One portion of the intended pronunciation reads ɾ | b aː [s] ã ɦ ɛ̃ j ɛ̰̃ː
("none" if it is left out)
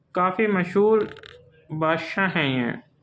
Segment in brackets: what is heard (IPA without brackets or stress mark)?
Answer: ʃ